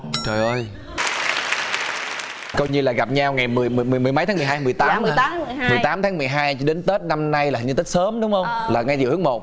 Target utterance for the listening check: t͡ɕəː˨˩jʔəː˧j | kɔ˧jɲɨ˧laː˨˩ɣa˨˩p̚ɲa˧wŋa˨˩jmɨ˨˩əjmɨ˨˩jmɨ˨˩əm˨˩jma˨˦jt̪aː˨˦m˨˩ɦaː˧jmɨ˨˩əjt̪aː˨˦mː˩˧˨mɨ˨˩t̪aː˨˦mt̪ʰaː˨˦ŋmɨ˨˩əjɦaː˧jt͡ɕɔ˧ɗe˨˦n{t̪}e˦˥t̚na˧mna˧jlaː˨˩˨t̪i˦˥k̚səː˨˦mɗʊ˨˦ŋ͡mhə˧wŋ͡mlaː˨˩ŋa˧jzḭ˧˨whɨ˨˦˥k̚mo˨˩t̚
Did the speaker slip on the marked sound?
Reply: no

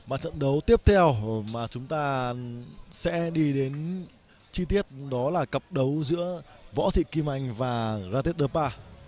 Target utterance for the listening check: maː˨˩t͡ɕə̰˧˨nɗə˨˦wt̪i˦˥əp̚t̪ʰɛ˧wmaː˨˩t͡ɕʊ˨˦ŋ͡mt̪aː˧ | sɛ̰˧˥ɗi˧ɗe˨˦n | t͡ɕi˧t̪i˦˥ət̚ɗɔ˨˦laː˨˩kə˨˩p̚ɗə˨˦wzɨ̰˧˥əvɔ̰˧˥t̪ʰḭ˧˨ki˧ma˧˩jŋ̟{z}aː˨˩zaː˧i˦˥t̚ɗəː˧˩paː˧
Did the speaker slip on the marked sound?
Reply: yes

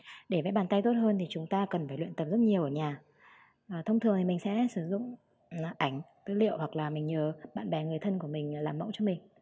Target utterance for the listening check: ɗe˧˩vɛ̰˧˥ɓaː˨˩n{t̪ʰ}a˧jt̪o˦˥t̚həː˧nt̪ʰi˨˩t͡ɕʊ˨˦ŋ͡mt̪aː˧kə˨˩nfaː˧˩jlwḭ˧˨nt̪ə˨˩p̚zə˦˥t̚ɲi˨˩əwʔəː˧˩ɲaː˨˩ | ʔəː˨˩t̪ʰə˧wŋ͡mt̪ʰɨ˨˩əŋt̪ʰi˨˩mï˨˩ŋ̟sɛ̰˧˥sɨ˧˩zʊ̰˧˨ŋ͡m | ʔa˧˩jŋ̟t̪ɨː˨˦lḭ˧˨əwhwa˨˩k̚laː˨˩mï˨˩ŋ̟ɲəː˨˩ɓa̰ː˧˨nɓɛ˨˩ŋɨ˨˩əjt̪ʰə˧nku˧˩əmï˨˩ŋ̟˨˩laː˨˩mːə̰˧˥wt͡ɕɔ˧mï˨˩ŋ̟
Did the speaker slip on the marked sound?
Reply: yes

